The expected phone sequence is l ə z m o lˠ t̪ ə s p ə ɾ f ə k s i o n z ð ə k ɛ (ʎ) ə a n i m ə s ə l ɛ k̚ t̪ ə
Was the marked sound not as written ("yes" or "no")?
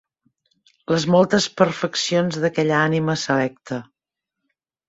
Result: no